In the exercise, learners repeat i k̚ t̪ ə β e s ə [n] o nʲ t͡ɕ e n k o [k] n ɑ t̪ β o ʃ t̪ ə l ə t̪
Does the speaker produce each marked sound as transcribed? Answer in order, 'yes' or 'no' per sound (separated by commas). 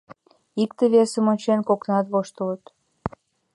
no, yes